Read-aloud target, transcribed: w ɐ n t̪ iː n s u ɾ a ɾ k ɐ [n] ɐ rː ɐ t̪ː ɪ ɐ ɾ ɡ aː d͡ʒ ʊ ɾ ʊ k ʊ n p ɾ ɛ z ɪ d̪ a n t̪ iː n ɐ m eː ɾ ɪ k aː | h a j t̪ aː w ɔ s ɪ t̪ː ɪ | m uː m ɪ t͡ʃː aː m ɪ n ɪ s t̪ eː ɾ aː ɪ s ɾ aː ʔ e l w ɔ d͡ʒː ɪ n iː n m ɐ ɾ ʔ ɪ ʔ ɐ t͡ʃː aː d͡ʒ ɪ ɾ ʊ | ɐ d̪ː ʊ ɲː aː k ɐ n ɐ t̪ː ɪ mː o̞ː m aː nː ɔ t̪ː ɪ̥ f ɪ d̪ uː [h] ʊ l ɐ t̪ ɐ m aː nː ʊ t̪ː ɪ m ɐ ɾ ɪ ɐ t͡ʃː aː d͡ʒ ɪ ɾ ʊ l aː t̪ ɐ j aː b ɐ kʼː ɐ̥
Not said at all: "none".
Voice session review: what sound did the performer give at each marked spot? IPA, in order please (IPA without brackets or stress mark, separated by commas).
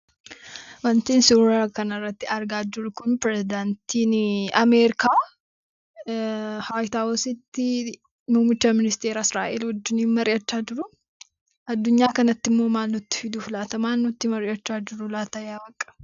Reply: n, f